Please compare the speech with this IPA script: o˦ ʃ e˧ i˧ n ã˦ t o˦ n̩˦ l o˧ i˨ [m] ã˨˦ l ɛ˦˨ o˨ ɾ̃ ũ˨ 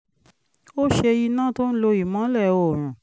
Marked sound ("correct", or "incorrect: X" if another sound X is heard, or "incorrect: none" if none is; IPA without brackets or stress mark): correct